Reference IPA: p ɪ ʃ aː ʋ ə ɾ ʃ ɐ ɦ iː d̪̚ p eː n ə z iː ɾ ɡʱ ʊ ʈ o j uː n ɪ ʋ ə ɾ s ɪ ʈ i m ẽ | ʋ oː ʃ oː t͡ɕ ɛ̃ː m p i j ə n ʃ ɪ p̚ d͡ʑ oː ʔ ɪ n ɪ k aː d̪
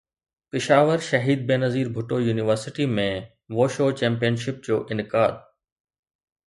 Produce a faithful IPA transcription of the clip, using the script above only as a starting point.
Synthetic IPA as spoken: p ɪ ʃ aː ʋ ə ɾ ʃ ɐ ɦ iː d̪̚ b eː n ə z iː ɾ bʱ ʊ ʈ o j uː n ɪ ʋ ə ɾ s ɪ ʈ i m ẽ | ʋ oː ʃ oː t͡ɕ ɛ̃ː m p i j ə n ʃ ɪ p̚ d͡ʑ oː ʔ ɪ n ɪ k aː d̪